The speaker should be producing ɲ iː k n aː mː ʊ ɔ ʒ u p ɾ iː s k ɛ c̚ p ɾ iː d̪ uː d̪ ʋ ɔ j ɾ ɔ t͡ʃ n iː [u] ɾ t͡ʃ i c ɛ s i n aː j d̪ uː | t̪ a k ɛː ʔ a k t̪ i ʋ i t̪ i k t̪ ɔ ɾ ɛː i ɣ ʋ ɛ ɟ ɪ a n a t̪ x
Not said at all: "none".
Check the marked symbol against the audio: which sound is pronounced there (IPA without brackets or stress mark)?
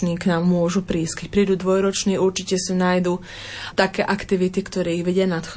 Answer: u